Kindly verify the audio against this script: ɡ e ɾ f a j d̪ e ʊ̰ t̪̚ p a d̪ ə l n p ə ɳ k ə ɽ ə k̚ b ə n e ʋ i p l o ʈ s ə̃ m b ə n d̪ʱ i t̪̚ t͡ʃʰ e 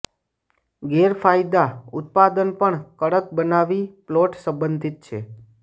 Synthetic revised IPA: ɡ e ɾ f a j d̪ a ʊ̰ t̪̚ p a d̪ ə n p ə ɳ k ə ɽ ə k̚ b ə n a ʋ i p l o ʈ s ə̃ m b ə n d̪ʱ i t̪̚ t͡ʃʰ e